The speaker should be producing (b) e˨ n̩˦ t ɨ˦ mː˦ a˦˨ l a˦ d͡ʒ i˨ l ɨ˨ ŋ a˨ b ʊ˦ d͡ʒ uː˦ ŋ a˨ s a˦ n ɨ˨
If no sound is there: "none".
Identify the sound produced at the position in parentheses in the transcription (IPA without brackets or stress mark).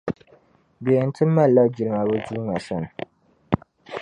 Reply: b